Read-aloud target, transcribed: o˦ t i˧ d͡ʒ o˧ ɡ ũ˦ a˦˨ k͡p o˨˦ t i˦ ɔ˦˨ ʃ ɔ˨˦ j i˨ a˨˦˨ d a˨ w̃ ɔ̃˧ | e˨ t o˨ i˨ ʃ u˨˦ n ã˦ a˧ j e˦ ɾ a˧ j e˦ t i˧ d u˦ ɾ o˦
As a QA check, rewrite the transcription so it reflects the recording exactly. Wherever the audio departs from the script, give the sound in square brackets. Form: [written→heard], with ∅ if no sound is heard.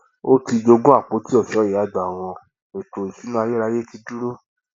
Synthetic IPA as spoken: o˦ t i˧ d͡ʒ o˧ ɡ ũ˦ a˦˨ k͡p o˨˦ t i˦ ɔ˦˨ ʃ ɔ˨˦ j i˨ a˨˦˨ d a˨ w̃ ɔ̃˧ | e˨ t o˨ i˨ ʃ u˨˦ n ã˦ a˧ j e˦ ɾ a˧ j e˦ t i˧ d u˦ ɾ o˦